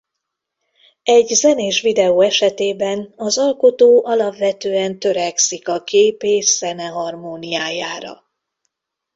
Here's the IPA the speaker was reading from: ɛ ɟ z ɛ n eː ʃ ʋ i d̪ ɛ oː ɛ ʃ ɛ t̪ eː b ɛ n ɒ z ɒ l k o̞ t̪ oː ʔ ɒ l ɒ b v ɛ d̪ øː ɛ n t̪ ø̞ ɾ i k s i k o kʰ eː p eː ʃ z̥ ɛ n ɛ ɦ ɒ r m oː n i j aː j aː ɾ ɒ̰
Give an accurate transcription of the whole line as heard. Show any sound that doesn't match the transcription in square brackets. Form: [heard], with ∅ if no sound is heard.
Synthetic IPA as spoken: ɛ ɟ z ɛ n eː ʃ ʋ i d̪ ɛ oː ɛ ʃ ɛ t̪ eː b ɛ n ɒ z ɒ l k o̞ t̪ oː ʔ ɒ l ɒ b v ɛ [t̪] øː ɛ n t̪ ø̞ ɾ [ɛ] k s i k [ɒ] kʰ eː p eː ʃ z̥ ɛ n ɛ ɦ ɒ r m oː n i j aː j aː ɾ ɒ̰